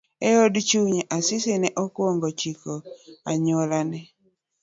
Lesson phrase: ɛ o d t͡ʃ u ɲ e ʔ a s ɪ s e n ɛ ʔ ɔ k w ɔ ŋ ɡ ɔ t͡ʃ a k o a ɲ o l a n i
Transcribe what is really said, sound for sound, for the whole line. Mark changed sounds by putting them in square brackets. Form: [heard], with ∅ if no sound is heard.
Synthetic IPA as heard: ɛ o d t͡ʃ u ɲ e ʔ a s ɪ s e n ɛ ʔ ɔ k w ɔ ŋ ɡ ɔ t͡ʃ [i] k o a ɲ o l a n [ɛ]